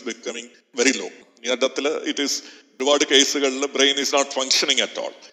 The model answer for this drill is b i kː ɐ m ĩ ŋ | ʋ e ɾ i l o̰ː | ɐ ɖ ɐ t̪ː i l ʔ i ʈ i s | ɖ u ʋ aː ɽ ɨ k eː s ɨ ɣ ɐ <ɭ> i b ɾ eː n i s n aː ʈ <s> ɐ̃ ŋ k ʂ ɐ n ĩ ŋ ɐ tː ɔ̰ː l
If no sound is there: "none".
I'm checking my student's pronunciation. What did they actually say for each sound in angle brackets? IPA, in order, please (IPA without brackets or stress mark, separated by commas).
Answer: ɭ, f